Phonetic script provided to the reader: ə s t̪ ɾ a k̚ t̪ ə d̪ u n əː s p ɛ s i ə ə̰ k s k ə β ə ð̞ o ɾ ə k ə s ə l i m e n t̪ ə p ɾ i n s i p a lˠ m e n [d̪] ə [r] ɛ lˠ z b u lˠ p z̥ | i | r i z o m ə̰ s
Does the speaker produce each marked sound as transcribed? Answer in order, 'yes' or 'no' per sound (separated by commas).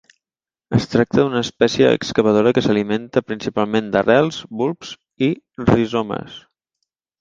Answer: yes, yes